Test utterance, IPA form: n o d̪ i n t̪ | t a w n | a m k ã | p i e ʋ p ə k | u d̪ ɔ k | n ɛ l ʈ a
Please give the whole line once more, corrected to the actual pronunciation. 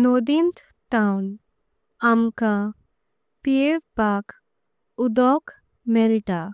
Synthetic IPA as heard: n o d̪ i n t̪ | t a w n | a m k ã | p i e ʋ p a k | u d̪ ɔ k | m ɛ l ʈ a